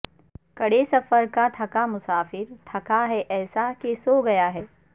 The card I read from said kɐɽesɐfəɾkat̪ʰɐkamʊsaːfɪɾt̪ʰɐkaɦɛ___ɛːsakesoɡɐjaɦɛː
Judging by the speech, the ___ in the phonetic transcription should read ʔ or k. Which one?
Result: ʔ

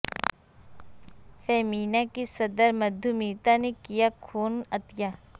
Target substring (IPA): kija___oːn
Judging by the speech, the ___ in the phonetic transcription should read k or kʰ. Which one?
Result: kʰ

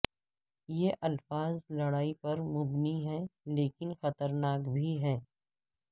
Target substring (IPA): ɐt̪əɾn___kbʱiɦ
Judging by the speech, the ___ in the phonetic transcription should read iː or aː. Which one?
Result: aː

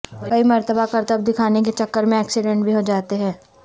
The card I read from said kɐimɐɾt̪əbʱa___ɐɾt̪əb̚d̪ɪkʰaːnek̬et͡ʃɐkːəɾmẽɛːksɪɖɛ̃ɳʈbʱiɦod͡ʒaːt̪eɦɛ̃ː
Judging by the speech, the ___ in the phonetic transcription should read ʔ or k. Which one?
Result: k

